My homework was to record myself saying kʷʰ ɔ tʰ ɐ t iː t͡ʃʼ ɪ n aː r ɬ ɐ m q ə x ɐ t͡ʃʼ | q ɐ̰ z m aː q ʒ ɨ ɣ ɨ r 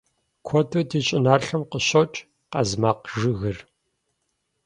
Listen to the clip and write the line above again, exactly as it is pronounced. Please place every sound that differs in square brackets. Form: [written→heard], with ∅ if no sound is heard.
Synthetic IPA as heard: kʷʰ ɔ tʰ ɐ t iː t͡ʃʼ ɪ n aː r ɬ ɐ m q ə [x→ɕ] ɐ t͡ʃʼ | q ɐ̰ z m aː q ʒ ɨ ɣ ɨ r